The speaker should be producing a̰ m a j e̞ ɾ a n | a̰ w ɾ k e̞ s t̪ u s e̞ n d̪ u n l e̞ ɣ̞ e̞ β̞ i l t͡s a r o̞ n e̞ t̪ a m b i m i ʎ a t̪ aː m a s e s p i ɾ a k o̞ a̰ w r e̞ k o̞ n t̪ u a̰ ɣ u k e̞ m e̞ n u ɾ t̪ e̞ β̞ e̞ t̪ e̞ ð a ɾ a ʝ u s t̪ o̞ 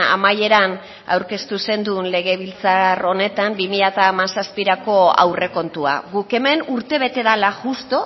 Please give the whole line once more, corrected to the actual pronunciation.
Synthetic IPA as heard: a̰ m a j e̞ ɾ a n | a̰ w ɾ k e̞ s t̪ u s e̞ n d̪ u n l e̞ ɣ̞ e̞ β̞ i l t͡s a r o̞ n e̞ t̪ a m b i m i ʎ a t̪ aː m a s a s p i ɾ a k o̞ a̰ w r e̞ k o̞ n t̪ u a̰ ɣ u k e̞ m e̞ n u ɾ t̪ e̞ β̞ e̞ t̪ e̞ ð a l a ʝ u s t̪ o̞